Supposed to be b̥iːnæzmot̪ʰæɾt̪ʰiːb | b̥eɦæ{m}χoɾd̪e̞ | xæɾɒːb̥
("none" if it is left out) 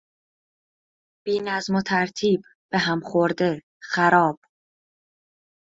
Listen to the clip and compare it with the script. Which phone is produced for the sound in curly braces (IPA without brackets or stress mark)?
m